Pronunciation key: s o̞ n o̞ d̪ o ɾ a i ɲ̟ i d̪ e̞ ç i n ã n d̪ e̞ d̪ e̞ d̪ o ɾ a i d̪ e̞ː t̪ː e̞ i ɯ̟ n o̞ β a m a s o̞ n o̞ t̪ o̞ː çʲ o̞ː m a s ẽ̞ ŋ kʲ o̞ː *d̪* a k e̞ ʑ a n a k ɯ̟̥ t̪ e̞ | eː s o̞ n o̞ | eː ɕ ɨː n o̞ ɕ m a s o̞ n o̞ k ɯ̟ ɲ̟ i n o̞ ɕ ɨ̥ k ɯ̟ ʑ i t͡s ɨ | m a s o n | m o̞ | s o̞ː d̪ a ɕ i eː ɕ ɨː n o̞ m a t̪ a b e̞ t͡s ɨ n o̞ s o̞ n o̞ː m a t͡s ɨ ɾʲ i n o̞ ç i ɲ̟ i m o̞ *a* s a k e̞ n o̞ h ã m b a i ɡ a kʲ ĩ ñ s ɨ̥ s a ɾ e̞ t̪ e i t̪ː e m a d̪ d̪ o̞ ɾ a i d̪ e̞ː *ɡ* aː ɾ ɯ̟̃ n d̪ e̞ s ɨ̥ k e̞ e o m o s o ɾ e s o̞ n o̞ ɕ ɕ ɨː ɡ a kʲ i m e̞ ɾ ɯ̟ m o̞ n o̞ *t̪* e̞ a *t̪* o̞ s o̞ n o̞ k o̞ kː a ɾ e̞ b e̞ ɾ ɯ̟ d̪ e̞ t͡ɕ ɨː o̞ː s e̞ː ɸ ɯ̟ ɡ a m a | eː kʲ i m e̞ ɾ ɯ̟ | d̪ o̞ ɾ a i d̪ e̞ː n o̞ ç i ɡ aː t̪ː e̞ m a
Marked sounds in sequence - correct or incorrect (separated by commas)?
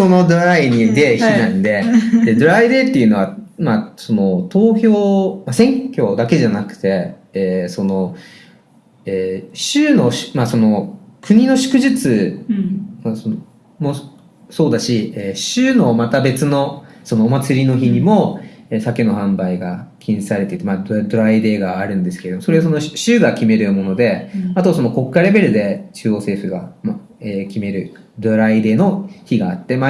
correct, incorrect, correct, incorrect, correct